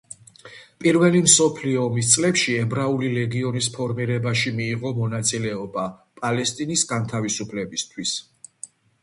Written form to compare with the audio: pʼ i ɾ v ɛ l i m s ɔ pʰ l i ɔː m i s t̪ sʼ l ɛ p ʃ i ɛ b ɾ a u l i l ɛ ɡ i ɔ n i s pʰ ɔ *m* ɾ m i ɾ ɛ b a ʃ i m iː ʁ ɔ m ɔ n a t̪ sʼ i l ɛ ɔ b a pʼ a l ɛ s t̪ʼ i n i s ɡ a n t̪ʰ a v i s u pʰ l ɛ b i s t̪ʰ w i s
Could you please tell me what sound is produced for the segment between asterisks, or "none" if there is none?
none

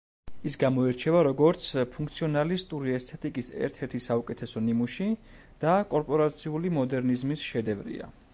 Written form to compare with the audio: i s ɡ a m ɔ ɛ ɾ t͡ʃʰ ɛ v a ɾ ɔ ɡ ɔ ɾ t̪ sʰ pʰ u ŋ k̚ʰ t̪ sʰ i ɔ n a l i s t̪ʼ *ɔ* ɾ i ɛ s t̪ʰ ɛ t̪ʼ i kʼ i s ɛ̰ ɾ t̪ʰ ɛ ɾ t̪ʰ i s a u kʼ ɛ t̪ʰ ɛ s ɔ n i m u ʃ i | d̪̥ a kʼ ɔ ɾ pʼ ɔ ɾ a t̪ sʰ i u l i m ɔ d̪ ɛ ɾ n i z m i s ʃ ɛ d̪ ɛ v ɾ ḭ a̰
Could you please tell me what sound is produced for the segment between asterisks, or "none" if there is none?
u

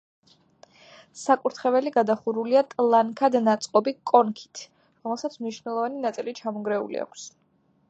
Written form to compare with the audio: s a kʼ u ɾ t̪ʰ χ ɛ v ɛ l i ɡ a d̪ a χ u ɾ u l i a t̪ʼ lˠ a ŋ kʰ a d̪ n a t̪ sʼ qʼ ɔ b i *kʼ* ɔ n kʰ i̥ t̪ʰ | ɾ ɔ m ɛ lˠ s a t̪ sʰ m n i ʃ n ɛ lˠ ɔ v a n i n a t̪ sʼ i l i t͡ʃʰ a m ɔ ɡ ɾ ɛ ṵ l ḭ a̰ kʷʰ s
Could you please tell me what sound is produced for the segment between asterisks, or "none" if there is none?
kʼ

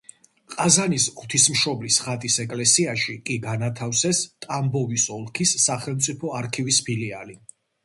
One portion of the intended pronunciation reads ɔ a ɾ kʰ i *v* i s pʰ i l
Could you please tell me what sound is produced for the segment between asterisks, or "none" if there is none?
v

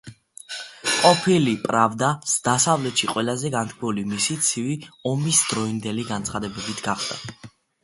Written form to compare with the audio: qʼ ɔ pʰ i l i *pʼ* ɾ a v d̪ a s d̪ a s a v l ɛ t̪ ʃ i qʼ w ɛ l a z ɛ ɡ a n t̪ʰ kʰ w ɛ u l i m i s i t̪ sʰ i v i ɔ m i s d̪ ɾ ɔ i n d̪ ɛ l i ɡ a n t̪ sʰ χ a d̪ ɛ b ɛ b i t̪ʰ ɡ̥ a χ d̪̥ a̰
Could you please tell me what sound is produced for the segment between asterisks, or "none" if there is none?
pʼ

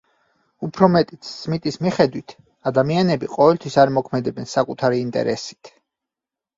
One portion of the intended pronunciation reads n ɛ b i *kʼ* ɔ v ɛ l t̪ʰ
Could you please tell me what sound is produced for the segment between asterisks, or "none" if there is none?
qʼ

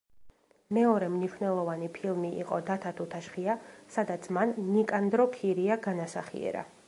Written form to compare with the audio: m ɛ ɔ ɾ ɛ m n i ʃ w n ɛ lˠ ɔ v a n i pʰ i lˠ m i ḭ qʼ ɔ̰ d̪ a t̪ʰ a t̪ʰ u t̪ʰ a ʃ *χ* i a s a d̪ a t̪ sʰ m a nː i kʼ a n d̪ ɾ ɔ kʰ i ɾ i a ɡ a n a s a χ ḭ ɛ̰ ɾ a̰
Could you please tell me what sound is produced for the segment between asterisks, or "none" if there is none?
χ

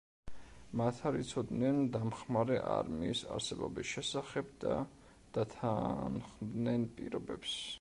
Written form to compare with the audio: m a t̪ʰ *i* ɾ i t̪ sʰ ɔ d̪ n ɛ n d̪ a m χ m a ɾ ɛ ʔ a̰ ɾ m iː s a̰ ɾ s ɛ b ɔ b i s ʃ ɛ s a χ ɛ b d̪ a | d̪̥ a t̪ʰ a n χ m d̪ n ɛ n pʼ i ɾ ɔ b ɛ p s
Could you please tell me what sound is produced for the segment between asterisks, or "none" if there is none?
a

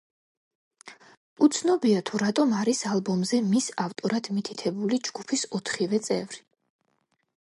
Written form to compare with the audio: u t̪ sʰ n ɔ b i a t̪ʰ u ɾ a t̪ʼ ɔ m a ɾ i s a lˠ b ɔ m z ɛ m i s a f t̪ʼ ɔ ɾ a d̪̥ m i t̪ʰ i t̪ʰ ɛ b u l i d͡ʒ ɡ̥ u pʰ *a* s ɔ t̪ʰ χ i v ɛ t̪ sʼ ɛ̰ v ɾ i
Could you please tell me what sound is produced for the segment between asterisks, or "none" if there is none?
i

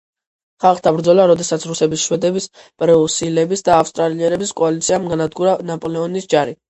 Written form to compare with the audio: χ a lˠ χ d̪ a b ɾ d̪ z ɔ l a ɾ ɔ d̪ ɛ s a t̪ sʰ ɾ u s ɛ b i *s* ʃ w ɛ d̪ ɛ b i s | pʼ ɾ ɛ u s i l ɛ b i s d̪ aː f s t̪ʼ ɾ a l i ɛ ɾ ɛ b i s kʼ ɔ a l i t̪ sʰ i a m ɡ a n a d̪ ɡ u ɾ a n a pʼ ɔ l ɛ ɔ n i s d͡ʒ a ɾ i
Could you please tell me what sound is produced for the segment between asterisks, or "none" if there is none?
s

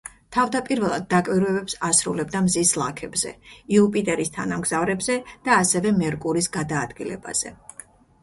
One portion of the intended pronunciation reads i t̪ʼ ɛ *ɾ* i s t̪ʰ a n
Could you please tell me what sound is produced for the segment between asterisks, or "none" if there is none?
ɾ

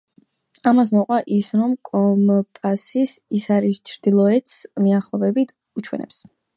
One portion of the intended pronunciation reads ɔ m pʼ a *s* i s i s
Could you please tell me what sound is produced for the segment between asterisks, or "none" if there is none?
s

